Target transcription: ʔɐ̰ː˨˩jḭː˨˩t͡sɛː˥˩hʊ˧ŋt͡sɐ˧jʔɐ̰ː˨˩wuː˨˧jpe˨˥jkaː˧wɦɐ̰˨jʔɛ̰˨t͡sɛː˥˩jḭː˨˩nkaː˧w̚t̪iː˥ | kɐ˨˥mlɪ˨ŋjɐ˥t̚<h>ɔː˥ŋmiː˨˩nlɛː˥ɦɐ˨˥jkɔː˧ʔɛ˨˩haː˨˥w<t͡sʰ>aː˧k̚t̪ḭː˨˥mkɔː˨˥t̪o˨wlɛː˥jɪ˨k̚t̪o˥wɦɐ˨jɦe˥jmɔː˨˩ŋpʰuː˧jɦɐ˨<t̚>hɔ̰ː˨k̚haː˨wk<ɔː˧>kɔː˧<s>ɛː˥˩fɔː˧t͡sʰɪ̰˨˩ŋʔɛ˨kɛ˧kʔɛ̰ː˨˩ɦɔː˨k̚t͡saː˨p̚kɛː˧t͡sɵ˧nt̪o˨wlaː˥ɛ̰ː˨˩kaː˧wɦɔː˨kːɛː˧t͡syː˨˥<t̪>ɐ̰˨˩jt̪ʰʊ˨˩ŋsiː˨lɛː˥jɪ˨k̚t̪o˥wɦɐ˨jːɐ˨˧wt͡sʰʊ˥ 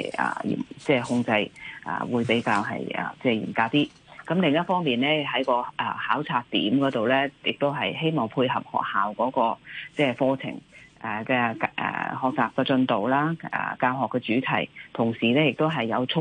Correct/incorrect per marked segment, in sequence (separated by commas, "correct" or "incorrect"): incorrect, correct, incorrect, incorrect, incorrect, incorrect